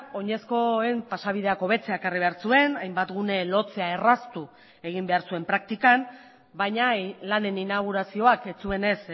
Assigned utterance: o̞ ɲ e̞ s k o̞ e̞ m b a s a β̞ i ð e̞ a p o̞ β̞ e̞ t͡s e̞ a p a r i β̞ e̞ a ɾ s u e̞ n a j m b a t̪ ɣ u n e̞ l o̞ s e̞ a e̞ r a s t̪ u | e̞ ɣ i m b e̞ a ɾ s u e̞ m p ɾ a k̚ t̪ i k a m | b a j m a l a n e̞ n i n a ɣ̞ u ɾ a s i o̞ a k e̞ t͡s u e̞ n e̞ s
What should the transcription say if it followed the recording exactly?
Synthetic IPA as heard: o̞ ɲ e̞ s k o̞ e̞ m p a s a β̞ i ð e̞ a k o̞ β̞ e̞ t͡s e̞ a k a r i β̞ e̞ a ɾ s u e̞ n a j m b a t̪ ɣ u n e̞ l o̞ t͡s e̞ a e̞ r a s t̪ u | e̞ ɣ i m b e̞ a ɾ s u e̞ m p ɾ a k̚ t̪ i k a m | b a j ɲ a l a n e̞ n i n a ɣ̞ u ɾ a s i o̞ a k e̞ t͡s u e̞ n e̞ s